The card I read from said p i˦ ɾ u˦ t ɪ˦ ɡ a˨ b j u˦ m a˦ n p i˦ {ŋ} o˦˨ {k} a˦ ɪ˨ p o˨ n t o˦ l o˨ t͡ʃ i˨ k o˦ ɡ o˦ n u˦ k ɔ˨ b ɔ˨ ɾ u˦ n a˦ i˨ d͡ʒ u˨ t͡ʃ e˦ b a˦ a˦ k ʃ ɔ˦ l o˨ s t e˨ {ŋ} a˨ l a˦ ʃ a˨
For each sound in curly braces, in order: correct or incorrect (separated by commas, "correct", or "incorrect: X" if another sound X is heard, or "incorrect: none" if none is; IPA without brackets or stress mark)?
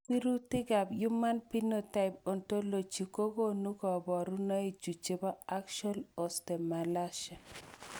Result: incorrect: n, incorrect: t, incorrect: m